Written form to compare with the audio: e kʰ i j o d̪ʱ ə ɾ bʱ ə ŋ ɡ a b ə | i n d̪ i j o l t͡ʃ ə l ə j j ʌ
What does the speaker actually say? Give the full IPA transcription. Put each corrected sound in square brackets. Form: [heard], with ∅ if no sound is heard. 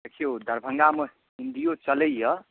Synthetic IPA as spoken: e kʰ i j o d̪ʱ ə ɾ bʱ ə ŋ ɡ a [m] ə | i n d̪ i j o [∅] t͡ʃ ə l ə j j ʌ